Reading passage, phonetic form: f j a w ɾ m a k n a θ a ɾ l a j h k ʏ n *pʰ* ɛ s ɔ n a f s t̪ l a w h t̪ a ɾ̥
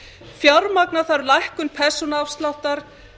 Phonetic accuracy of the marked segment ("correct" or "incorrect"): correct